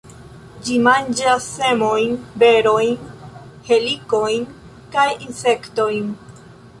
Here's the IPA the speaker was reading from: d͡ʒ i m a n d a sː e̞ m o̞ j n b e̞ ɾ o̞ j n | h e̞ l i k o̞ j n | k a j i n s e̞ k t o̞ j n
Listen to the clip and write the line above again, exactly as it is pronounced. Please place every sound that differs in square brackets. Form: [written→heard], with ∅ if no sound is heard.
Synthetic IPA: d͡ʒ i m a n [d→d͡ʒ] a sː e̞ m o̞ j n b e̞ ɾ o̞ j n | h e̞ l i k o̞ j n | k a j i n s e̞ k t o̞ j n